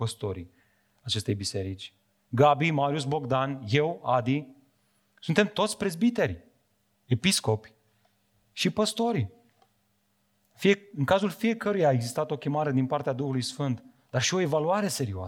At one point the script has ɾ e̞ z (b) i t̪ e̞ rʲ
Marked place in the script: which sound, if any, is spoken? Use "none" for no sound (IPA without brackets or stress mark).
b